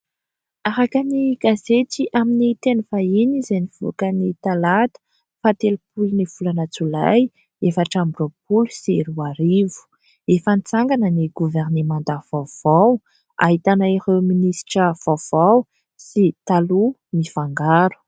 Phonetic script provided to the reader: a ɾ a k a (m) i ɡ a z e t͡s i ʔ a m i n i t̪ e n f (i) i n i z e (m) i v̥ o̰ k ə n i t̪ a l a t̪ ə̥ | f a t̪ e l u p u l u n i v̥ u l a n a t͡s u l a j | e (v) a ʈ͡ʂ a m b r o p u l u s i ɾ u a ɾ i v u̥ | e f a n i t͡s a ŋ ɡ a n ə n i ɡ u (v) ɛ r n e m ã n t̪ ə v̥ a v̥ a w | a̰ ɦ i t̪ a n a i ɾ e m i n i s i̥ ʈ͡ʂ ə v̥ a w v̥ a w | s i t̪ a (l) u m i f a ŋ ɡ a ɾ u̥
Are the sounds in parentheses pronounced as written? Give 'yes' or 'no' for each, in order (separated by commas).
no, no, no, no, yes, yes